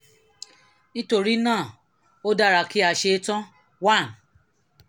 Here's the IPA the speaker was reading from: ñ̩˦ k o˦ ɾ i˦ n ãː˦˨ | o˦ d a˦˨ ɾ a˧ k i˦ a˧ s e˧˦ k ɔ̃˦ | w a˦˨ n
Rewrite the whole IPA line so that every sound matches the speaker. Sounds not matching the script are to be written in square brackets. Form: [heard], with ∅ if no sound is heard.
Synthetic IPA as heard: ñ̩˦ [t] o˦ ɾ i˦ n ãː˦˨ | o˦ d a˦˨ ɾ a˧ k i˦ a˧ [ʃ] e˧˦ [t] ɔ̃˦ | w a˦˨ n